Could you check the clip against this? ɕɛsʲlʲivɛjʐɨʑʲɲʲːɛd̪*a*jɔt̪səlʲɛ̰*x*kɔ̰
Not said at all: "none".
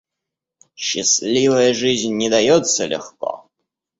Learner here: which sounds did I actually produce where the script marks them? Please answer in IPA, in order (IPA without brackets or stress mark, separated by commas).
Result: a, x